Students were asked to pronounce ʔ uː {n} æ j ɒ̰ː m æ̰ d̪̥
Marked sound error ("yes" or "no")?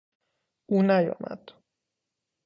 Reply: no